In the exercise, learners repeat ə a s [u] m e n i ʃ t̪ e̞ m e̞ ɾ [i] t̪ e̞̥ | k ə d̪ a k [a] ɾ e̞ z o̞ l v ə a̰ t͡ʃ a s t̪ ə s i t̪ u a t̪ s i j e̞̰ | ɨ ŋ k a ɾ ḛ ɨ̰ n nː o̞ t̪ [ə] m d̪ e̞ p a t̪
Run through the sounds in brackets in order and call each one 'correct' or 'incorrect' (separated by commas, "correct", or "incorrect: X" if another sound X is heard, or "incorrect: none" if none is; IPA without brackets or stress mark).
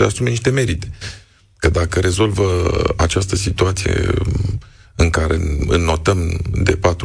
correct, correct, incorrect: ə, correct